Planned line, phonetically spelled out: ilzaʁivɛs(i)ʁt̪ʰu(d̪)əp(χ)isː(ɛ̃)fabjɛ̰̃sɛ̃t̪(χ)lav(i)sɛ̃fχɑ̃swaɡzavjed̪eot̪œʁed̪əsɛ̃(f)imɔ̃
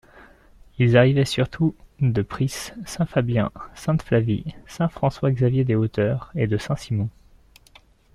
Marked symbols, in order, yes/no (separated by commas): no, yes, yes, yes, no, yes, no